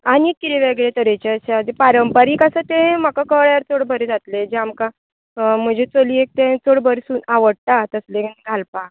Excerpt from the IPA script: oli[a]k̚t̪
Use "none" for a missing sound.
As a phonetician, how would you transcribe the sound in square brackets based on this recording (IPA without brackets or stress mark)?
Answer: e